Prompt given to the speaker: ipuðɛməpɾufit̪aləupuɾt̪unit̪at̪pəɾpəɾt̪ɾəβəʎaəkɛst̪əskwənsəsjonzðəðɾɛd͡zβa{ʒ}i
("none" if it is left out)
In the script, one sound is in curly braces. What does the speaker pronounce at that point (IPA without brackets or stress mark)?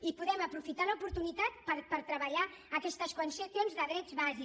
z